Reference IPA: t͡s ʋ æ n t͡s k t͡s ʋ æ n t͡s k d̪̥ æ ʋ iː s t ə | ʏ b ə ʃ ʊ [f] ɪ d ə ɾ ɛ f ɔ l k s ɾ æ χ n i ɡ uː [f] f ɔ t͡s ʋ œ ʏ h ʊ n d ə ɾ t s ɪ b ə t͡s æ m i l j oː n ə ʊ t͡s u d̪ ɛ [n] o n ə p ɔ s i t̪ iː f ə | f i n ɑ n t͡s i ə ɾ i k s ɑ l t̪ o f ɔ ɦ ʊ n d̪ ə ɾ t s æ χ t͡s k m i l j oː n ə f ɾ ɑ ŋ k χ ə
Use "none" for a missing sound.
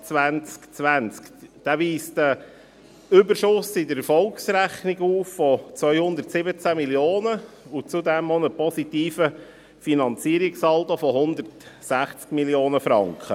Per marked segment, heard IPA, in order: s, f, m

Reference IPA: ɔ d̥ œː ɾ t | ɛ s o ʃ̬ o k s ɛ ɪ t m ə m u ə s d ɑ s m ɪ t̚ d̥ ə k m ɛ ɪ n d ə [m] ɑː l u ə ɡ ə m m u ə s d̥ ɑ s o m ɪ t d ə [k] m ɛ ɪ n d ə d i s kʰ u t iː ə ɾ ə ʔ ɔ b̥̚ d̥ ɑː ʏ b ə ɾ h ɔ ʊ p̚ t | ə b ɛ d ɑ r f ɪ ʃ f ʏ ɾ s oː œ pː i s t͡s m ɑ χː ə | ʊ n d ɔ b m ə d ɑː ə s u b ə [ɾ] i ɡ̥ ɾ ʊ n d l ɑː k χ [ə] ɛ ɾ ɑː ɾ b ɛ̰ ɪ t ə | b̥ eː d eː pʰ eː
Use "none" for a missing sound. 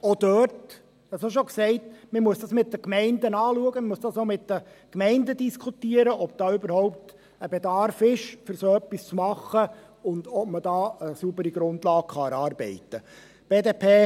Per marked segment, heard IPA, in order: n, k, ɾ, ɑ

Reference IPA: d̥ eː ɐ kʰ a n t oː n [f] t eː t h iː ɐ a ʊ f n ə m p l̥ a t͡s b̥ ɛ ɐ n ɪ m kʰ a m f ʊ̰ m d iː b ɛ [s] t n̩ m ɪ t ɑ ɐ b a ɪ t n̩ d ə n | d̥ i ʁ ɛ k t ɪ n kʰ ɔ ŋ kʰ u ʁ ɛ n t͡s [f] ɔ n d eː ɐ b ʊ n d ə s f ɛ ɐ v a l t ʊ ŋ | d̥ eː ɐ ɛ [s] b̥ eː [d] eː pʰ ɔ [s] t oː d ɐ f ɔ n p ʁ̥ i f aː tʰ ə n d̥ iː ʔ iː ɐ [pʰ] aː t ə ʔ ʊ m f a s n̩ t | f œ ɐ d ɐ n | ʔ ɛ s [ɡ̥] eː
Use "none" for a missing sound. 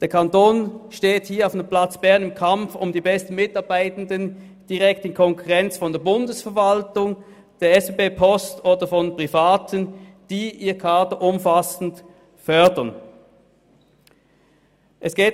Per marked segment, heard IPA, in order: ʃ, s, f, s, b, s, kʰ, ɡ̥

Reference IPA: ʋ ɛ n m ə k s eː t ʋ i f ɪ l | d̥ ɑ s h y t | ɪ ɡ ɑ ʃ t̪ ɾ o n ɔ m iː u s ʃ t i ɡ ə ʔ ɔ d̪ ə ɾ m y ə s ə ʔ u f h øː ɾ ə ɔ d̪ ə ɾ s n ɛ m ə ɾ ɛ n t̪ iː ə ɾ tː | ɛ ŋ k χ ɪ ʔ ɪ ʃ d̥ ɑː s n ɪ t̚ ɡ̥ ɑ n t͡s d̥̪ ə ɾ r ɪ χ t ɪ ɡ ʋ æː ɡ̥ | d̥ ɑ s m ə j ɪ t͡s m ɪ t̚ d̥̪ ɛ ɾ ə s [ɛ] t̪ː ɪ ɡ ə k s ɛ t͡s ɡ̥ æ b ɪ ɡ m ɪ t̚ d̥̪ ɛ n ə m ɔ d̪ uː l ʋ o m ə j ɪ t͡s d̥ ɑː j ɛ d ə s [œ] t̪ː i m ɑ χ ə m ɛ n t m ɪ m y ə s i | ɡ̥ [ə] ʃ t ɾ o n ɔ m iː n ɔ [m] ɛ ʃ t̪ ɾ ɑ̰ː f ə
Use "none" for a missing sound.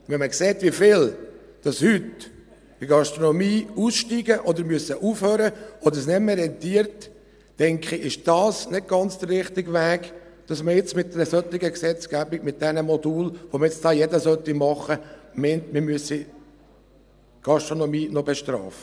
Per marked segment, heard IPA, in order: œ, œ, ɑ, b

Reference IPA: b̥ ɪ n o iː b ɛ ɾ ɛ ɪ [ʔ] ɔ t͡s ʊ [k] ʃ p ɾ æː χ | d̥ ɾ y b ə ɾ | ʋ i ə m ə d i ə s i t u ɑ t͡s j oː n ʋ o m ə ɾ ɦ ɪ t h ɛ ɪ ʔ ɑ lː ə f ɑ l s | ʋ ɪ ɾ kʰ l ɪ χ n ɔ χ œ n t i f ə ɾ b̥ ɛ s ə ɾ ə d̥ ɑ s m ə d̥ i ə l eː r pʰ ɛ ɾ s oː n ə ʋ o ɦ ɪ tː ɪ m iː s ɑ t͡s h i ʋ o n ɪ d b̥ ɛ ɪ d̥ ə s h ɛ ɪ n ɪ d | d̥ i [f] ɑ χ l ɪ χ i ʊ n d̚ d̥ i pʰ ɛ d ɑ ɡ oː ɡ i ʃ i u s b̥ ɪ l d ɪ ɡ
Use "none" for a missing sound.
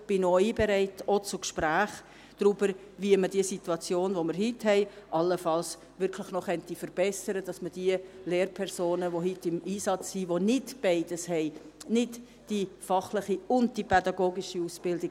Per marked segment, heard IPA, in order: t, k, f

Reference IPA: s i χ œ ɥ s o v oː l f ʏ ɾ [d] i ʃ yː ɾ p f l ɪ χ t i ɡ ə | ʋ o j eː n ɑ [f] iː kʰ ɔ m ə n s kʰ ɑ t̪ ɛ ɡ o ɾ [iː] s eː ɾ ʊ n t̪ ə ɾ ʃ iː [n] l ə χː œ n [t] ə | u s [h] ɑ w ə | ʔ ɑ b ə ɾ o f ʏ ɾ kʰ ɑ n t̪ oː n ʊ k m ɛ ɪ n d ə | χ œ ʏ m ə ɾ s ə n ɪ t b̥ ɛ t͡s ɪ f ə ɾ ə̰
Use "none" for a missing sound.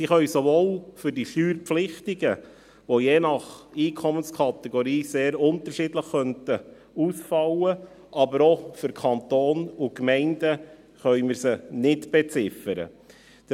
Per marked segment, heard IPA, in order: d, χ, iː, d, t, f

